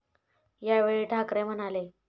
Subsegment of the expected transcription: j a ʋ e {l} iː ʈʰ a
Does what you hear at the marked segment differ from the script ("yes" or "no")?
yes